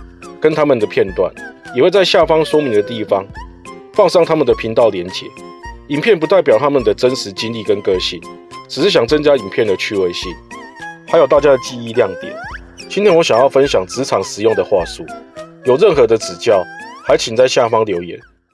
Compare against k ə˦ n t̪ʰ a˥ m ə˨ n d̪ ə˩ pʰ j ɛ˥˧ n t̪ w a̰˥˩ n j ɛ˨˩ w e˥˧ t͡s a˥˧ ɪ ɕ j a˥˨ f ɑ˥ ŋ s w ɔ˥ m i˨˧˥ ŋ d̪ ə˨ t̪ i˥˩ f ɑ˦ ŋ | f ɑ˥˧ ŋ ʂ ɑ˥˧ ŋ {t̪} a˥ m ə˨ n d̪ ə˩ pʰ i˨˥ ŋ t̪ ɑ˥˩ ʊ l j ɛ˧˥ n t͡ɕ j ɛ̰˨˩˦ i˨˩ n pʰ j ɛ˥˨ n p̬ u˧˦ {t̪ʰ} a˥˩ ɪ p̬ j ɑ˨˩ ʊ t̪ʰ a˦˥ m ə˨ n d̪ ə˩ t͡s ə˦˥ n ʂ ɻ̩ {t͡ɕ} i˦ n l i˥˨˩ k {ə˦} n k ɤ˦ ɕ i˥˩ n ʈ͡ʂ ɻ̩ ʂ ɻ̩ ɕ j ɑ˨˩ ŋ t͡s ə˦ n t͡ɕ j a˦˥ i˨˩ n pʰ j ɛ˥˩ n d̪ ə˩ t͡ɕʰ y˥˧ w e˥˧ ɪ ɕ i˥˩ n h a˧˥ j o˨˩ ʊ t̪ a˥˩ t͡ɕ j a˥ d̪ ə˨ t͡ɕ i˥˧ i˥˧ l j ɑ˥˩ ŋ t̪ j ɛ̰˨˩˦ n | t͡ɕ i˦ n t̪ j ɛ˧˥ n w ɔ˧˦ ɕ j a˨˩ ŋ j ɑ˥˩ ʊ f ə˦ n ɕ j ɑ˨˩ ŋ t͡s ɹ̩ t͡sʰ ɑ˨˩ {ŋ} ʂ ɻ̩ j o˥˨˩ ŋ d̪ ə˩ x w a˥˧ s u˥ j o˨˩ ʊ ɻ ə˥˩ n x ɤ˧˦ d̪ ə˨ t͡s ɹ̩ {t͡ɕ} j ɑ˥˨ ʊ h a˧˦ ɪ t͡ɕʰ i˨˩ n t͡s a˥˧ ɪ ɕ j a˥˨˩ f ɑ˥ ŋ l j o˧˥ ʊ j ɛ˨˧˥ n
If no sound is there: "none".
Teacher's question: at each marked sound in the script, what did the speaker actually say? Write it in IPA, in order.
t̪ʰ, t̪, t͡ɕ, ə˦, ŋ, t͡ɕ

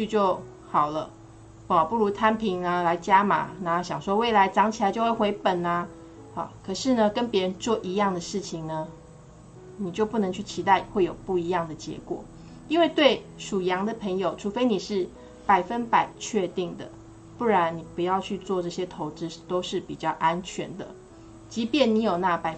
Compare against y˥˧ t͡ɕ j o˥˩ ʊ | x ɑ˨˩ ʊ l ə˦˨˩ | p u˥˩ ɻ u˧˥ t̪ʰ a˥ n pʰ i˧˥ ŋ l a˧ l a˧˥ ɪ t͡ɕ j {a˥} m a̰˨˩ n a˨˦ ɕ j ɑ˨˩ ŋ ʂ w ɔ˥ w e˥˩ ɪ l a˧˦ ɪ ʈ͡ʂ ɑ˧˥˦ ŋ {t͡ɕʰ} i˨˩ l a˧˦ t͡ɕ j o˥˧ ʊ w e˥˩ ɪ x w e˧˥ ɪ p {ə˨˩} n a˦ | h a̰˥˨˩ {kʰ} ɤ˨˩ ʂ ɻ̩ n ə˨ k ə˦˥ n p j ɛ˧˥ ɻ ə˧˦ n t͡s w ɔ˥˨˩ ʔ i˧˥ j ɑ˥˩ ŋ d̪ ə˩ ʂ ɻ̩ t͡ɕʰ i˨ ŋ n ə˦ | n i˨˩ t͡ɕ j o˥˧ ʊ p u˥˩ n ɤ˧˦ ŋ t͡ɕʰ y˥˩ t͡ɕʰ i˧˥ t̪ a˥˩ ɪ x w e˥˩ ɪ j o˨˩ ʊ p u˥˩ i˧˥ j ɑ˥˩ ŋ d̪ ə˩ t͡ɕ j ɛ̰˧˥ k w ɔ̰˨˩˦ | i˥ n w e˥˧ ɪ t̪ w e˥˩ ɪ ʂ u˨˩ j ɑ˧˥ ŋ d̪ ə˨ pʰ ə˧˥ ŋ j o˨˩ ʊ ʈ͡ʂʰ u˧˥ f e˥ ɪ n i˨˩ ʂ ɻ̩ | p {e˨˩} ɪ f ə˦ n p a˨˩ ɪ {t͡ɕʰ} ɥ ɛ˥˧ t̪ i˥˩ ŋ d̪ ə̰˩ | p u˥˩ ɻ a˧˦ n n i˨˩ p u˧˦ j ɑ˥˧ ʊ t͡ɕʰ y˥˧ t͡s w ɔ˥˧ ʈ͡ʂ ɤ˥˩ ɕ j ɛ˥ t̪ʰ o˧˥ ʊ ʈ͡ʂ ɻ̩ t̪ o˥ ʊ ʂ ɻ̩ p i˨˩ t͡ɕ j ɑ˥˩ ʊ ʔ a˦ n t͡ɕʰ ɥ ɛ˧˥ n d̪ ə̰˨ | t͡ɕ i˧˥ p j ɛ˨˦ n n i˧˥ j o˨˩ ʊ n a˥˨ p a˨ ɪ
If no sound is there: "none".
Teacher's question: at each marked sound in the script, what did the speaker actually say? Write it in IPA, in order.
a˥, t͡ɕʰ, ə˨˩, kʰ, a˨˩, t͡ɕʰ

